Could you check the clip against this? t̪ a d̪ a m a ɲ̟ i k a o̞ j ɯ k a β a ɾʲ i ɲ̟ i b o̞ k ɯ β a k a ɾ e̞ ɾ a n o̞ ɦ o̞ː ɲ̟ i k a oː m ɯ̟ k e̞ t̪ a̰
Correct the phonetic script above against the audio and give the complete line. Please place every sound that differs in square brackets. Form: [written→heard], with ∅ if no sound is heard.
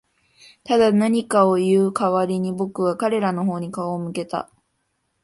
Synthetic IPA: t̪ a d̪ a [m→n] a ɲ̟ i k a o̞ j [ɯ→ɯː] k a β a ɾʲ i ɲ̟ i b o̞ k ɯ β a k a ɾ e̞ ɾ a n o̞ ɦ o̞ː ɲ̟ i k a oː m ɯ̟ k e̞ t̪ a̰